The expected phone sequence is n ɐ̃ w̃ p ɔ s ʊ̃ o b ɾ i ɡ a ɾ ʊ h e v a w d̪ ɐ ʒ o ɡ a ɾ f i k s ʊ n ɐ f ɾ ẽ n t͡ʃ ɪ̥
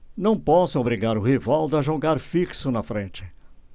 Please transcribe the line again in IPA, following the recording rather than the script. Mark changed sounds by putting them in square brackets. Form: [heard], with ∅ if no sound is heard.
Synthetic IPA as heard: n ɐ̃ w̃ p ɔ s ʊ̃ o b ɾ i ɡ a ɾ ʊ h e v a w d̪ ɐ ʒ o ɡ a ɾ f i k s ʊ n ɐ f ɾ ẽ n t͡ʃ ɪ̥